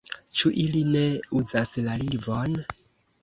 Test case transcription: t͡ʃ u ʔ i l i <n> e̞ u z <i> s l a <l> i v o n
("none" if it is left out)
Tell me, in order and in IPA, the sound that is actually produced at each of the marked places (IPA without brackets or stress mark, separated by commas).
n, a, l